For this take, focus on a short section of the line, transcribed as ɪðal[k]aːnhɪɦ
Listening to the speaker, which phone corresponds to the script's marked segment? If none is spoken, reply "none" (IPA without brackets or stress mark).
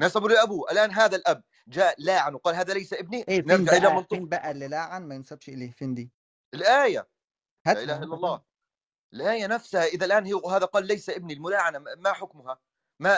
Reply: ʔ